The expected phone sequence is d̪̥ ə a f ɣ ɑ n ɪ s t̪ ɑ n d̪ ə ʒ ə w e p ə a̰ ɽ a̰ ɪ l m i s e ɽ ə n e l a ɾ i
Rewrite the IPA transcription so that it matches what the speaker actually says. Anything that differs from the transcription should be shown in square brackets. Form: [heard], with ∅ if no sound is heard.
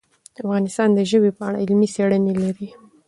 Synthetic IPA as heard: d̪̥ ə a f ɣ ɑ n ɪ s t̪ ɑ n d̪ ə ʒ ə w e p ə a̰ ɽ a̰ ɪ l m i s e ɽ ə n e l a ɾ i